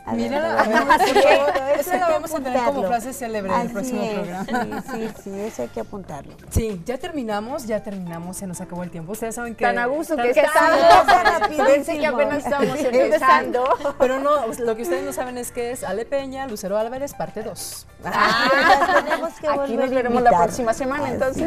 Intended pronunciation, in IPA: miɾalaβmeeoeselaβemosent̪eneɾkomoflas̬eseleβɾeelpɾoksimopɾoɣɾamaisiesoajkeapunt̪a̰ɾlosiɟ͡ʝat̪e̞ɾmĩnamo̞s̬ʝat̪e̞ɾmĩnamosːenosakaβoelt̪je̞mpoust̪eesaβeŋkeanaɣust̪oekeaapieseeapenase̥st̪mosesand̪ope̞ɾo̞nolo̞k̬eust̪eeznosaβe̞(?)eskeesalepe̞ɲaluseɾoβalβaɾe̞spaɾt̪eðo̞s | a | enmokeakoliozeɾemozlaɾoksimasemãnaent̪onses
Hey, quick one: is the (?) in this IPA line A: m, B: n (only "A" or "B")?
B